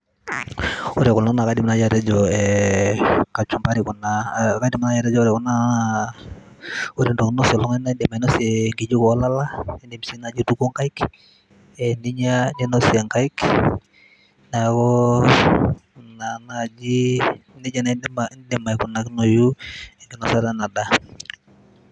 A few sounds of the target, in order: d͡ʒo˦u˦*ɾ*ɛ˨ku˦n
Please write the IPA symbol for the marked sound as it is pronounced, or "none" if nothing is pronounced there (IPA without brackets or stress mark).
ɾ